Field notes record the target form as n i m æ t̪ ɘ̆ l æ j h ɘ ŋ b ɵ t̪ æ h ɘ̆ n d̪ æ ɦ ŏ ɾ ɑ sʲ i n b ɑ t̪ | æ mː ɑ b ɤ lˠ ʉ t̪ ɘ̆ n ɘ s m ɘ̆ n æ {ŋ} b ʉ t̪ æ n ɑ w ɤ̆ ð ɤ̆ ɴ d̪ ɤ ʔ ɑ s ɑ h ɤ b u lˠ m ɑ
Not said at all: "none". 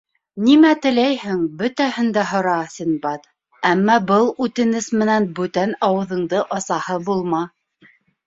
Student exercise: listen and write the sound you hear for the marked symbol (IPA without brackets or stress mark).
n